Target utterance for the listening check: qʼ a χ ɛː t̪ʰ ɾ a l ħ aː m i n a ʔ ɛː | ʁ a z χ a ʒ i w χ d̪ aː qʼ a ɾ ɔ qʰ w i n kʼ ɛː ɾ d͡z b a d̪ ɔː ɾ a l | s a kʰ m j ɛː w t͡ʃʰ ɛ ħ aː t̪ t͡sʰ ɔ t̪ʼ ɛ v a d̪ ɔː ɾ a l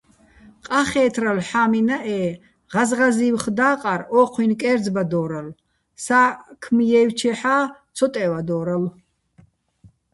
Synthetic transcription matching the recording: qʼ a χ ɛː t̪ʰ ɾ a l ħ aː m i n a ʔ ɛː | ʁ a z ʁ a z i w χ d̪ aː qʼ a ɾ ɔ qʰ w i n kʼ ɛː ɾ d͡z b a d̪ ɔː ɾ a l | s a kʰ m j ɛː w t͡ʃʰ ɛ ħ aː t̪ t͡sʰ ɔ t̪ʼ ɛ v a d̪ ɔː ɾ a l

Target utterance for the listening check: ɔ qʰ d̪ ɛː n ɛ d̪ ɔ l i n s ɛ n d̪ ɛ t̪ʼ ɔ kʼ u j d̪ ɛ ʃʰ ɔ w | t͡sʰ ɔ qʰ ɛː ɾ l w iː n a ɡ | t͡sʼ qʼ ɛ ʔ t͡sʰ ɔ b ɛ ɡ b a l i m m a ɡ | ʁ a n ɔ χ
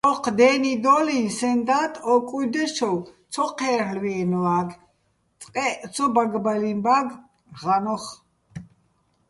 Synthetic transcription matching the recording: ɔ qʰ d̪ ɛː n i d̪ ɔ l i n s ɛ n d̪ a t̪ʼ ɔ kʼ u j d̪ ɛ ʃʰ ɔ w | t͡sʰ ɔ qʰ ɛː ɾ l w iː n a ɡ | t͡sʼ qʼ ɛ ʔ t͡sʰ ɔ b a ɡ b a l i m b a ɡ | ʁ a n ɔ χ

